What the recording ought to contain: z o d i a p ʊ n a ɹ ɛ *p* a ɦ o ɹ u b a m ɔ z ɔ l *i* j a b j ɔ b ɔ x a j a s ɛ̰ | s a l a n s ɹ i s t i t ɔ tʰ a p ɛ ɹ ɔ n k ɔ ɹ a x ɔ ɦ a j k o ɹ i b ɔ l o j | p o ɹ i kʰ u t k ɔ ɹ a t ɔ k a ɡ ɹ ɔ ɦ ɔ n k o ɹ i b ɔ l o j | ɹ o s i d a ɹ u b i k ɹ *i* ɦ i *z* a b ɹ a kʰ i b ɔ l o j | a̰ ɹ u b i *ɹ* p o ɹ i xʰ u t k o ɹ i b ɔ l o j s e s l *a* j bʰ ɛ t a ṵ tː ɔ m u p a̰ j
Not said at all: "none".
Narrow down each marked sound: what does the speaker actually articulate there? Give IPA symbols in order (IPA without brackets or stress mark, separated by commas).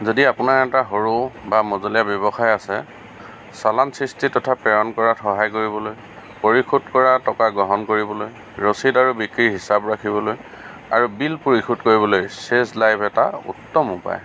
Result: t, i, i, s, l, a